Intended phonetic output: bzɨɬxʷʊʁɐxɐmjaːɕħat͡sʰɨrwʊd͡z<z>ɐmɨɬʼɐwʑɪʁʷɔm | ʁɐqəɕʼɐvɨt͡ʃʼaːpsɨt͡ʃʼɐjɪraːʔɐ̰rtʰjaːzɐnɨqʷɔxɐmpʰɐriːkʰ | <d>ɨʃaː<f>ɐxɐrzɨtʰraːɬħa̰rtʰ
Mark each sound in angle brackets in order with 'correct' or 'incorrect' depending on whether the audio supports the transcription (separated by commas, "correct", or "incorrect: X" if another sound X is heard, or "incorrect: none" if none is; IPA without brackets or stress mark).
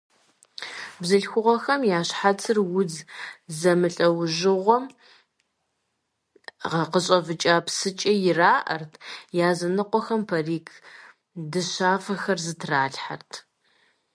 correct, correct, correct